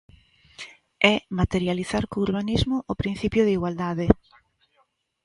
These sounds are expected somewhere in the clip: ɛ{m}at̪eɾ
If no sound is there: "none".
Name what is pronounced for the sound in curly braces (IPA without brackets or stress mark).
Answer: m